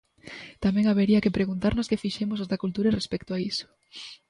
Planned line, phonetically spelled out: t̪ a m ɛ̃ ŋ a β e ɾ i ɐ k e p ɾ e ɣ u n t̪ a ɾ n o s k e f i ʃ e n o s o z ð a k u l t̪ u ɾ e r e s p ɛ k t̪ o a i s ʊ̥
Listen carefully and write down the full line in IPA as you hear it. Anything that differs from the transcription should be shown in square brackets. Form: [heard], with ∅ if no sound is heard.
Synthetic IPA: t̪ a m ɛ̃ ŋ a β e ɾ i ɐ k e p ɾ e ɣ u n t̪ a ɾ n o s k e f i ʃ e [m] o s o z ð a k u l t̪ u ɾ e r e s p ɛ k t̪ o a i s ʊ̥